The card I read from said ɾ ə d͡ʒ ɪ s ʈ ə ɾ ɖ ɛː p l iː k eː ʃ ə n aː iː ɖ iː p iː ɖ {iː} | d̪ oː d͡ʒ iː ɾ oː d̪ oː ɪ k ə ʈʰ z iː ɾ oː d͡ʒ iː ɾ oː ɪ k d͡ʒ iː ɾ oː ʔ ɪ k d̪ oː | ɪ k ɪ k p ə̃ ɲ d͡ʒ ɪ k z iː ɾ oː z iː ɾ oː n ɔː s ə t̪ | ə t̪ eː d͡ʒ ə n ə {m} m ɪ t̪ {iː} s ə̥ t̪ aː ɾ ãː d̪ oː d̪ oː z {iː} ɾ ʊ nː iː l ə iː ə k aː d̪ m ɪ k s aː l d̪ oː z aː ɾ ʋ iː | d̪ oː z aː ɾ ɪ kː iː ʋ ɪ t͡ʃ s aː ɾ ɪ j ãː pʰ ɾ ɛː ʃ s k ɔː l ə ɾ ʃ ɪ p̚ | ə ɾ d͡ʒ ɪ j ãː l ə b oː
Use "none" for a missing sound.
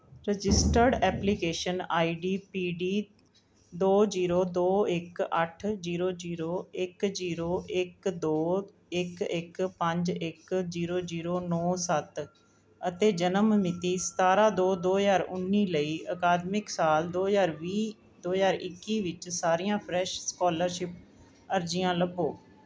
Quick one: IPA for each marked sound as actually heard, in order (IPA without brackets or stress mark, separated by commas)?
iː, m, iː, aː